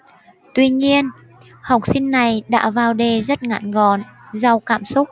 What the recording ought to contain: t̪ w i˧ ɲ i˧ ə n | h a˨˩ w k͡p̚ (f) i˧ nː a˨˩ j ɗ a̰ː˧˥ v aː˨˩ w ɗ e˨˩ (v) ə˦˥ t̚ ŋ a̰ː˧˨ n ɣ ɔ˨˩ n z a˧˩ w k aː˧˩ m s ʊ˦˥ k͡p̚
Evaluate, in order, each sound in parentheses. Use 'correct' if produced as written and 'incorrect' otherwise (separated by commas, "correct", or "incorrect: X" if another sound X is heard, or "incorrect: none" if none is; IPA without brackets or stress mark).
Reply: incorrect: s, incorrect: z